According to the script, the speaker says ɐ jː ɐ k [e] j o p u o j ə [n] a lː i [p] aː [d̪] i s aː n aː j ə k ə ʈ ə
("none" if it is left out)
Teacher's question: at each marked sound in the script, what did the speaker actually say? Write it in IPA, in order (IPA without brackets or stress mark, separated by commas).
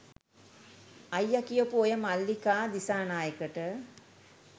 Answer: i, m, k, d̪